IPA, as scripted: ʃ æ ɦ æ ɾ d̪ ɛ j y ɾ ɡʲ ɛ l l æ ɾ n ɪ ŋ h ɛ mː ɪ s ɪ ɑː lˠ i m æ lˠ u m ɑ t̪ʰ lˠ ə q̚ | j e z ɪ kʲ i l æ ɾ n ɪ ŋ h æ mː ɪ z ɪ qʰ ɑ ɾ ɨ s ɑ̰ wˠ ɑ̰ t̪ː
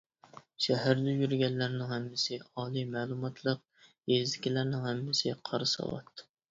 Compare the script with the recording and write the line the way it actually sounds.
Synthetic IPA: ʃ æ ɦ æ ɾ d̪ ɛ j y ɾ ɡʲ ɛ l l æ ɾ n ɪ ŋ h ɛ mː ɪ s ɪ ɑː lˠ i m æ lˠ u m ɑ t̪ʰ lˠ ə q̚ | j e z ɪ kʲ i l æ ɾ n ɪ ŋ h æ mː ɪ s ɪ qʰ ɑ ɾ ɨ s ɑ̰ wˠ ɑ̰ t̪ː